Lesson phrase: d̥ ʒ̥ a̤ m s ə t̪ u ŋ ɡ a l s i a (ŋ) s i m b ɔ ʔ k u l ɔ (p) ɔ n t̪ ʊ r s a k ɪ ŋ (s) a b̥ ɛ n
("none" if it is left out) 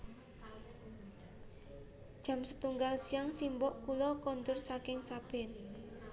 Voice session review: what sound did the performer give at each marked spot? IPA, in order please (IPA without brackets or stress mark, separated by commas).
ŋ, k, s